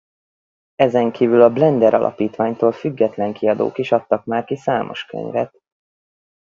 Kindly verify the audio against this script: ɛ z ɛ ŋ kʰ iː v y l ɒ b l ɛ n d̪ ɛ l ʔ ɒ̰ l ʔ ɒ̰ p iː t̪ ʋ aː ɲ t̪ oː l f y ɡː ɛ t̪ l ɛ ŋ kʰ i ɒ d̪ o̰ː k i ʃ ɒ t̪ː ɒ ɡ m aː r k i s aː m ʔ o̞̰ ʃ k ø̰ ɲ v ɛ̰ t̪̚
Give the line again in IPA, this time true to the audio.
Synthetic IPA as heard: ɛ z ɛ ŋ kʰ iː v y l ɒ b l ɛ n d̪ ɛ ɾ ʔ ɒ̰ l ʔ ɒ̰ p iː t̪ ʋ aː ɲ t̪ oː l f y ɡː ɛ t̪ l ɛ ŋ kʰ i ɒ d̪ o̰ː k i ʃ ɒ t̪ː ɒ k m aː r k i s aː m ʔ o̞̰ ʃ k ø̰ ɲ v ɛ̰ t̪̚